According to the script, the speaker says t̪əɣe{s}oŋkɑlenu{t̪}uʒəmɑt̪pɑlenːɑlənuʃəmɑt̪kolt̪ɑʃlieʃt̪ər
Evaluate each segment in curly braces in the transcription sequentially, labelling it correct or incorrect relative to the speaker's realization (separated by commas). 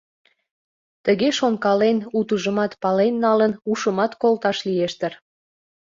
incorrect, correct